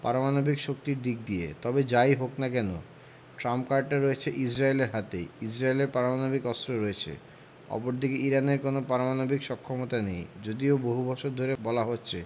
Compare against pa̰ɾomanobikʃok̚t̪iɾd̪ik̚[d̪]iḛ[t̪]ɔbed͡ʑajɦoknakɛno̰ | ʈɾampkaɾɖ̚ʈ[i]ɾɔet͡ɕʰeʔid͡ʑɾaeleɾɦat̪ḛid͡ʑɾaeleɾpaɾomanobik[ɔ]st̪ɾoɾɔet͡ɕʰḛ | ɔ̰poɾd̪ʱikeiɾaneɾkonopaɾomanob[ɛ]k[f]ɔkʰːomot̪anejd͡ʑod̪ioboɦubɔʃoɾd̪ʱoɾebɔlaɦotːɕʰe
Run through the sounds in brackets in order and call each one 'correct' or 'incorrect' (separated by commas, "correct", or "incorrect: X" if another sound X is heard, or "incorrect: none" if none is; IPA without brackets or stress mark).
correct, correct, incorrect: a, correct, incorrect: i, incorrect: ʃ